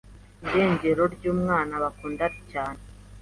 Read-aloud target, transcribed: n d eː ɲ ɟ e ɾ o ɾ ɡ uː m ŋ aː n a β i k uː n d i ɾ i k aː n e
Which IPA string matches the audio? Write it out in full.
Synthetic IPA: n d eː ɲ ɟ e ɾ o ɾ ɟ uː m ŋ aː n a β a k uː n d a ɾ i c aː n e